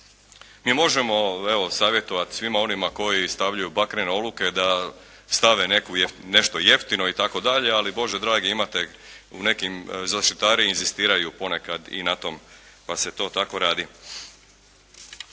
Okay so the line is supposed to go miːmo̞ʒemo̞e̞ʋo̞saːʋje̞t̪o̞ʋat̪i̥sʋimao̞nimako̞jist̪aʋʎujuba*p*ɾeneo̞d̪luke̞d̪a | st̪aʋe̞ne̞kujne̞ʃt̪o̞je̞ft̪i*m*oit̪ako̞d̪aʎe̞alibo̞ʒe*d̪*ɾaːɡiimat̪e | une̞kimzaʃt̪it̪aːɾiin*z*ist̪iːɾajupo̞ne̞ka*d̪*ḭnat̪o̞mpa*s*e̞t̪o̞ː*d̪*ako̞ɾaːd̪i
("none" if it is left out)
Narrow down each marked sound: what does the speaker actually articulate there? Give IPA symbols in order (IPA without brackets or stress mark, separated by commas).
k, n, d̪, z, d̪, s, t̪